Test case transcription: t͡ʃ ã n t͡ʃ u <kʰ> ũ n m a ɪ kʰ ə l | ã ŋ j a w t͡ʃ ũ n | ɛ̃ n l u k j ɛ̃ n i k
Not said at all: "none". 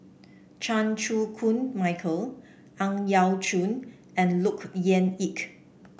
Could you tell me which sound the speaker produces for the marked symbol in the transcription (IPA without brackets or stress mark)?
kʰ